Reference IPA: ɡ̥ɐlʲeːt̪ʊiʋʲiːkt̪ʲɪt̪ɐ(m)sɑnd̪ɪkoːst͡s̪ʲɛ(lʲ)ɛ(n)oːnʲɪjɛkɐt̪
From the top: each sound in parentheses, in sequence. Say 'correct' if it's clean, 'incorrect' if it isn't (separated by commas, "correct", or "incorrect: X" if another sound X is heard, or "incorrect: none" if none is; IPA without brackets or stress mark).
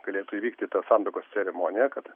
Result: incorrect: none, incorrect: ɾʲ, incorrect: m